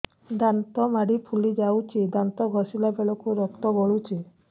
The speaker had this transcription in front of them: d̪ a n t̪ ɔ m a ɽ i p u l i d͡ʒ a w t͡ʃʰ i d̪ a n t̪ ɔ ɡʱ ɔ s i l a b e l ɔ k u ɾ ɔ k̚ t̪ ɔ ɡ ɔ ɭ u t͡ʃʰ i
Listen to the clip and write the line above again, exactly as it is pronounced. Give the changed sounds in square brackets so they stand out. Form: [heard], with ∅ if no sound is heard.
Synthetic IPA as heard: d̪ a n t̪ ɔ m a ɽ i [pʰ] u l i d͡ʒ a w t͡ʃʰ i d̪ a n t̪ ɔ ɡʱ ɔ s i l a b e [ɭ] ɔ k u ɾ ɔ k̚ t̪ ɔ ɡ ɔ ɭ u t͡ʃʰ i